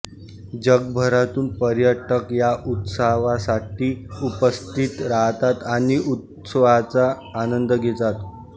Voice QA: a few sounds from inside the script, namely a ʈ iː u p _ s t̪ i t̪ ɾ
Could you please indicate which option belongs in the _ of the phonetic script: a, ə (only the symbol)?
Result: ə